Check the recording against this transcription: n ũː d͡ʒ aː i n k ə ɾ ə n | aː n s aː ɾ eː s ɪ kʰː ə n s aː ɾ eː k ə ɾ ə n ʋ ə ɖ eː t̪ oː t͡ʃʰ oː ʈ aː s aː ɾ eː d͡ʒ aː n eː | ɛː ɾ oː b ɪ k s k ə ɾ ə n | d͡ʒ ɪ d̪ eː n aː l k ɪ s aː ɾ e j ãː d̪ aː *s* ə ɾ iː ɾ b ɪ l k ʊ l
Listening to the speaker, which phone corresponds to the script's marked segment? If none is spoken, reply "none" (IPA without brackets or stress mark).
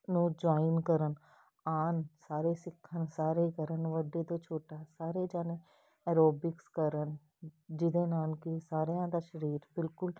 ʃ